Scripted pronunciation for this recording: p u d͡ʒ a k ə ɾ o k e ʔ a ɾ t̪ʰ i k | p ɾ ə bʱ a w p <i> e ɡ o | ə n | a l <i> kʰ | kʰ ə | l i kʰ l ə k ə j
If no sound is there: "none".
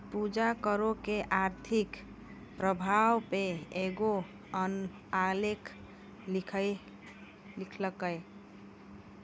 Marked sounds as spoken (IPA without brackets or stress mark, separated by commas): e, e